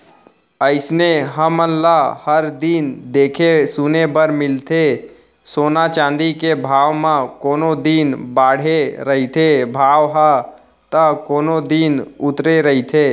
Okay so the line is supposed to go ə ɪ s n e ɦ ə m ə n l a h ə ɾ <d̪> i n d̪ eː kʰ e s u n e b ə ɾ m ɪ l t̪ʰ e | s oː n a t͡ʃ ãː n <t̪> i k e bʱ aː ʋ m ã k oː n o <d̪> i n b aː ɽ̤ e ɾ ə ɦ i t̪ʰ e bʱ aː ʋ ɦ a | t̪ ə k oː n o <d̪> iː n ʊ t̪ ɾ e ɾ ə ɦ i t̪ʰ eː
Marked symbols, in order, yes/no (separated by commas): yes, no, yes, yes